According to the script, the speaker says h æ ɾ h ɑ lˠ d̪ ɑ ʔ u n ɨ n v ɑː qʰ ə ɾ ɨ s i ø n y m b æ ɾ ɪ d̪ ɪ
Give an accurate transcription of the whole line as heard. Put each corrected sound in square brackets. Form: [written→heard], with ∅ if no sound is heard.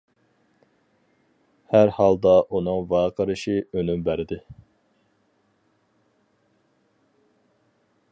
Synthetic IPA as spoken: h æ ɾ h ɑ lˠ d̪ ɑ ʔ u n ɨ [n→ŋ] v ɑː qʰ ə ɾ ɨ [s→ʃ] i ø n y m b æ ɾ ɪ d̪ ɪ